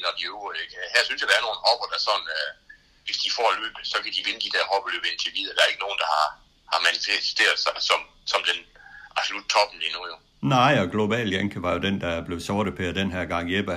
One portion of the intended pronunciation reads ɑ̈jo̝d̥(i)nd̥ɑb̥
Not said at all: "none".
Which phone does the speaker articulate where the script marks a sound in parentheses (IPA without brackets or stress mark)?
e